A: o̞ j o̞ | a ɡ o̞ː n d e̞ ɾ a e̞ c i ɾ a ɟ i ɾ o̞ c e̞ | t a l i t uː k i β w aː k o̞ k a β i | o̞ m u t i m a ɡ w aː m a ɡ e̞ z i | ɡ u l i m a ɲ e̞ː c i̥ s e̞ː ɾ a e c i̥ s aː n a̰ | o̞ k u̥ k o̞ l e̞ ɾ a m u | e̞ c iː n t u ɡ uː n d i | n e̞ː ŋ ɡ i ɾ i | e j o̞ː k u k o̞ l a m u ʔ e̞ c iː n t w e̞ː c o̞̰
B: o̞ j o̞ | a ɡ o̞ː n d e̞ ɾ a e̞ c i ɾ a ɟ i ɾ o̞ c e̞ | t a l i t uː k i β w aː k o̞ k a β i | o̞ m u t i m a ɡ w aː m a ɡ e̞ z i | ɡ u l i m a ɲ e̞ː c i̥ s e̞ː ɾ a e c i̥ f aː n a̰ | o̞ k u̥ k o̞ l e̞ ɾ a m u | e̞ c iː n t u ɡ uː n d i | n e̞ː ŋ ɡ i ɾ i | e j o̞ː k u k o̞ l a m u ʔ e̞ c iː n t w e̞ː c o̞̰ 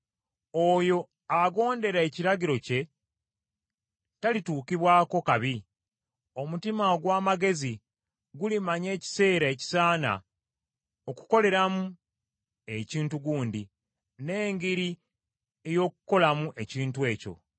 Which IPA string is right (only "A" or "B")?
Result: A